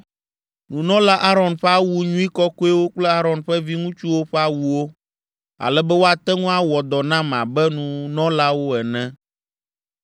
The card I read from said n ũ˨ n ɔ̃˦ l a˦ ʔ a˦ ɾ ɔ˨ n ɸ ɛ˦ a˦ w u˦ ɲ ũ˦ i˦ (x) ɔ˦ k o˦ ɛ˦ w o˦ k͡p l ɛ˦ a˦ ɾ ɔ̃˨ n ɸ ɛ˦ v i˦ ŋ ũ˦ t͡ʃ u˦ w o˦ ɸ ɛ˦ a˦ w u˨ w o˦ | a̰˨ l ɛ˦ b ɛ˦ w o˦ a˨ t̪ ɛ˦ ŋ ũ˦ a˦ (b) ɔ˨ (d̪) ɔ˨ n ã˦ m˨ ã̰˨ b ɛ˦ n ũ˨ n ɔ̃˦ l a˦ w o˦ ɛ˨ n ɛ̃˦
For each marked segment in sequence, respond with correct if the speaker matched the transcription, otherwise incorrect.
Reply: incorrect: k, incorrect: w, correct

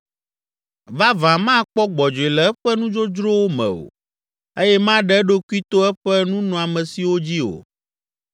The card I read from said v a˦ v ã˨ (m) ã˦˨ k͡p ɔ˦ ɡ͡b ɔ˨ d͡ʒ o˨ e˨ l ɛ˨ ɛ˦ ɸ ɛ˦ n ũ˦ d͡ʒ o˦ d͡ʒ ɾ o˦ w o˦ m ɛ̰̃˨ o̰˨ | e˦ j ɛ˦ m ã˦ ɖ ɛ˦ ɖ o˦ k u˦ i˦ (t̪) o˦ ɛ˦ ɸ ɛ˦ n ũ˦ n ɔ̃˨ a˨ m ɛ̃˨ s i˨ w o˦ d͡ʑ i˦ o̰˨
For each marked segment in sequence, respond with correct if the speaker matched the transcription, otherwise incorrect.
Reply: correct, correct

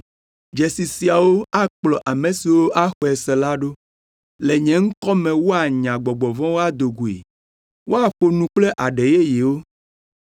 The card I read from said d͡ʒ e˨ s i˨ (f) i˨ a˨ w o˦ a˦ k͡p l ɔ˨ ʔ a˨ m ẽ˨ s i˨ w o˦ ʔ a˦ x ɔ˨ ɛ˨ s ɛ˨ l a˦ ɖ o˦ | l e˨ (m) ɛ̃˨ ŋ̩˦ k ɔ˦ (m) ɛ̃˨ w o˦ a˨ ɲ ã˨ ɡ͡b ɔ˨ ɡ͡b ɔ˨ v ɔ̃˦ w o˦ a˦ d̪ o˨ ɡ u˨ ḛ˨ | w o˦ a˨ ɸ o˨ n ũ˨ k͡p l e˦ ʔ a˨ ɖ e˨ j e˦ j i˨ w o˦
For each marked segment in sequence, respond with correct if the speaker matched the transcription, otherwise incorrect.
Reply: incorrect: s, incorrect: ɲ, correct

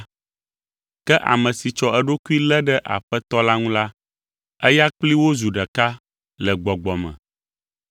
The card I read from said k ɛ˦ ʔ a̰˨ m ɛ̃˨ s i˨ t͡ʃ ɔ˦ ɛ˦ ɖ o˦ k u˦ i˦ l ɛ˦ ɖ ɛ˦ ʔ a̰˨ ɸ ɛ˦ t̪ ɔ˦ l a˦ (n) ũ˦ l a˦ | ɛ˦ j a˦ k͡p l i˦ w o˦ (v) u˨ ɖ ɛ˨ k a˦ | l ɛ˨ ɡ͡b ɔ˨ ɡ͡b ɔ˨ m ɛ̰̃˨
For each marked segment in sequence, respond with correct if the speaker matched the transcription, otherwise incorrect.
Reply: incorrect: ŋ, incorrect: z

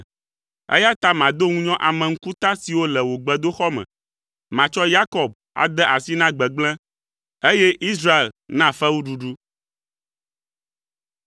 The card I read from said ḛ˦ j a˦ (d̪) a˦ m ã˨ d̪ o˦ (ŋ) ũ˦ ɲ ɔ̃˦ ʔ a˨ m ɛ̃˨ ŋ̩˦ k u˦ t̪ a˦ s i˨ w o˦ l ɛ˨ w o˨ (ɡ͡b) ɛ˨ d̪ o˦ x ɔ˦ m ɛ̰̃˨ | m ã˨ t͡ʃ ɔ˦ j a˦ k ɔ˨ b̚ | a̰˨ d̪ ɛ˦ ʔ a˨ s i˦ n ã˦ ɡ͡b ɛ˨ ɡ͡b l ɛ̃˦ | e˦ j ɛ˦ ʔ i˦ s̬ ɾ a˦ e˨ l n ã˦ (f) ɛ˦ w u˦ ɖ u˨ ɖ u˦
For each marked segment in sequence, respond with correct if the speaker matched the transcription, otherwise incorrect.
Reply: incorrect: t̪, correct, correct, correct

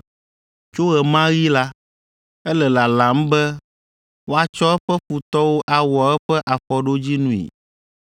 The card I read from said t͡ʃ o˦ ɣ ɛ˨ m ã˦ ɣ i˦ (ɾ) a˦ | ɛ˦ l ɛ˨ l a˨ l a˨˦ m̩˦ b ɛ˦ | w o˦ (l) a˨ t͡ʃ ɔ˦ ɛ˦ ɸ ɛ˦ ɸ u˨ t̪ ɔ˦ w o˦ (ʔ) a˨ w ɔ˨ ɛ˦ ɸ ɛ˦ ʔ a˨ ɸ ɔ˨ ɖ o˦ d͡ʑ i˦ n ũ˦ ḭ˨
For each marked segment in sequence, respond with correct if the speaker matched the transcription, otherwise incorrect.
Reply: incorrect: l, incorrect: none, correct

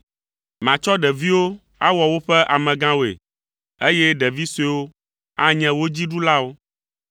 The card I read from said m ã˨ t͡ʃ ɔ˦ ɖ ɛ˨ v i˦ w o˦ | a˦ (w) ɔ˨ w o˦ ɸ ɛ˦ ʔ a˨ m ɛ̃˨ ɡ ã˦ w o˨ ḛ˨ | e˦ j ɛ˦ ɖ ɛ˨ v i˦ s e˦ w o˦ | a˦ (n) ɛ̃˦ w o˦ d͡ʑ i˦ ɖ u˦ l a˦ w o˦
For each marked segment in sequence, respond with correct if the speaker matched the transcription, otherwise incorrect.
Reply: correct, incorrect: ɲ

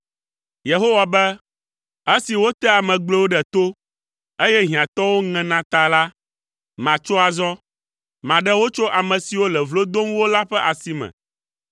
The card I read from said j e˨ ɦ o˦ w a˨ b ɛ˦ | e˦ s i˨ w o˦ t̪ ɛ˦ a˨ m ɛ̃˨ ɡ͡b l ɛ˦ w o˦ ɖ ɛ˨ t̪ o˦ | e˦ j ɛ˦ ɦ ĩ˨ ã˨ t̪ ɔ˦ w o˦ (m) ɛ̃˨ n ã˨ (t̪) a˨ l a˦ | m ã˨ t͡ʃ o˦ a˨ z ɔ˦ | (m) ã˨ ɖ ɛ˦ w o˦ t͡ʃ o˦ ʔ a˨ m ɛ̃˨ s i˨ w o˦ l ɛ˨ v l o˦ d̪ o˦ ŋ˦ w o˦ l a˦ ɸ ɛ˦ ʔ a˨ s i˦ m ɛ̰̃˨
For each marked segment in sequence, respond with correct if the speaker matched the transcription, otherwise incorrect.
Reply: incorrect: ŋ, correct, correct

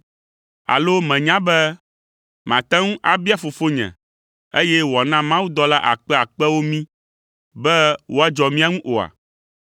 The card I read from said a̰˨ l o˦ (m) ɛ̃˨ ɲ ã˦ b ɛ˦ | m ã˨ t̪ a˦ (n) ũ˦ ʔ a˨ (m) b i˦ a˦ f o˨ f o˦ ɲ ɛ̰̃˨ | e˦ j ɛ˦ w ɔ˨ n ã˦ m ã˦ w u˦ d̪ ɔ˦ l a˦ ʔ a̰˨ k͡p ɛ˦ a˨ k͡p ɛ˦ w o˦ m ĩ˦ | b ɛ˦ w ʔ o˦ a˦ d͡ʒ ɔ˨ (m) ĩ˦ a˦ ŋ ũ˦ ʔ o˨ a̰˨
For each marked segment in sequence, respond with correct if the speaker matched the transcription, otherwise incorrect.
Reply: correct, incorrect: ŋ, incorrect: none, correct

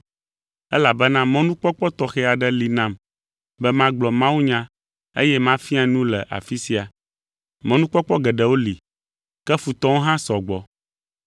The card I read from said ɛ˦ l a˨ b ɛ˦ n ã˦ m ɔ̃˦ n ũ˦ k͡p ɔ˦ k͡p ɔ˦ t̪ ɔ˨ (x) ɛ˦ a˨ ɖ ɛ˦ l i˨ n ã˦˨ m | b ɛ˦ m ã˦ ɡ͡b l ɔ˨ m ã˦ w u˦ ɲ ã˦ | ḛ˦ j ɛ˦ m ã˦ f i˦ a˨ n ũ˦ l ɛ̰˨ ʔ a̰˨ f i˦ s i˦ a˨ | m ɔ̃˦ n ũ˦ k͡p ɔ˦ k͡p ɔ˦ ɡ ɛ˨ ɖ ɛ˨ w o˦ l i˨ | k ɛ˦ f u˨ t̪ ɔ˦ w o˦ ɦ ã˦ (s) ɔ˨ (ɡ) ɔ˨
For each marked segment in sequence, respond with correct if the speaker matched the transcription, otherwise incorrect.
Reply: correct, correct, incorrect: ɡ͡b

